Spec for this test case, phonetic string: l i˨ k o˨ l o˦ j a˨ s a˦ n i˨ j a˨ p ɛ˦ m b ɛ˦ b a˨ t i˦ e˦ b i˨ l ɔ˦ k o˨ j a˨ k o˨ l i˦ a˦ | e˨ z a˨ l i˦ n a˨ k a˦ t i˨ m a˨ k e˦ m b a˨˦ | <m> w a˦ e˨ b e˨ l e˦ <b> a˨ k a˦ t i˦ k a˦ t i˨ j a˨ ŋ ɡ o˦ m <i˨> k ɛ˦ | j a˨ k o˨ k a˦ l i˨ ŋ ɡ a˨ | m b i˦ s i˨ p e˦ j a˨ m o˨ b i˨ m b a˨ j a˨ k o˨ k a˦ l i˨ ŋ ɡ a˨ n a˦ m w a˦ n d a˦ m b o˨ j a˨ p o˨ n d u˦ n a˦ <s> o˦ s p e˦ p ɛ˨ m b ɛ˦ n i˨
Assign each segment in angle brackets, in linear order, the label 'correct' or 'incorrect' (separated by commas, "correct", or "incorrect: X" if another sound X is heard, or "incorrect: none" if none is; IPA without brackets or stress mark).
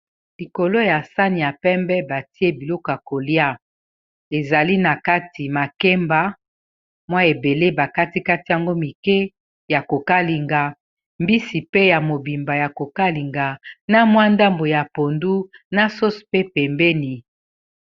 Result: correct, correct, correct, correct